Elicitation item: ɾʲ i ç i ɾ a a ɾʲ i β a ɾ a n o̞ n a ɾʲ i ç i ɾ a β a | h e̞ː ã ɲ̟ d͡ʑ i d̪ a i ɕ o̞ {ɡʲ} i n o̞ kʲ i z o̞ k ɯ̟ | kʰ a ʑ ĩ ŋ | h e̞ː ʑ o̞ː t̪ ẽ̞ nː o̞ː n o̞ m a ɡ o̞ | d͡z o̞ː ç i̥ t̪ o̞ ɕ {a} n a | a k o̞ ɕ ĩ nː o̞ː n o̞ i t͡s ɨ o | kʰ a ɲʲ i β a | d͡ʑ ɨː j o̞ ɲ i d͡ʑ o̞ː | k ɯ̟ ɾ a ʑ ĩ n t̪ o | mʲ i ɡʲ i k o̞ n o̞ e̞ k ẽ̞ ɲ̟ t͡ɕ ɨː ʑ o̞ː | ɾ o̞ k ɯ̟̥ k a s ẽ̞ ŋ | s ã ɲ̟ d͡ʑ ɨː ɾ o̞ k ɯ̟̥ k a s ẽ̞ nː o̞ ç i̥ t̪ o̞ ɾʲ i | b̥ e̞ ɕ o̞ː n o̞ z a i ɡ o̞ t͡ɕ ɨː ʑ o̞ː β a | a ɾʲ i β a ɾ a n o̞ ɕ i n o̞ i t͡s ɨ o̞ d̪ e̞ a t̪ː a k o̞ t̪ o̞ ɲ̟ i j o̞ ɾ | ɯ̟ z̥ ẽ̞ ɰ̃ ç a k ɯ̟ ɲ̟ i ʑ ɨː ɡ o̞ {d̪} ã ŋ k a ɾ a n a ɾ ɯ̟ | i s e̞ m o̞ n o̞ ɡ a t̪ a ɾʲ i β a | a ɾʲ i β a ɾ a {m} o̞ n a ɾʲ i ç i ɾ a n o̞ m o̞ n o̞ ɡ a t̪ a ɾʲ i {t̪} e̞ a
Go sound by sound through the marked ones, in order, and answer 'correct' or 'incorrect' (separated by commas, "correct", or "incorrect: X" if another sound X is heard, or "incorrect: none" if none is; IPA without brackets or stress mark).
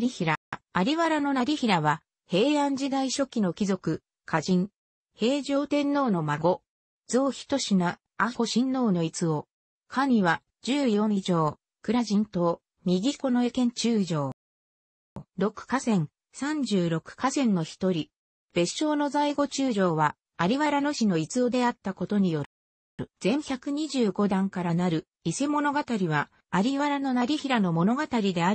incorrect: kʲ, incorrect: i, correct, incorrect: n, incorrect: d̪